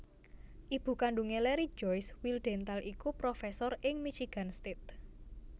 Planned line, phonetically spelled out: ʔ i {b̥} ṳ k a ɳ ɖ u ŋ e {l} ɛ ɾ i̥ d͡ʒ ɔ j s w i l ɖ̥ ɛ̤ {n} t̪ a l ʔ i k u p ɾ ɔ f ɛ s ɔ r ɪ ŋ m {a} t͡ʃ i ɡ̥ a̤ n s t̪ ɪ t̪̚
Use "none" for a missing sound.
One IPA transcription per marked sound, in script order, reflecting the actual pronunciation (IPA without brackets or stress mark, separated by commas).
b̥, l, n, i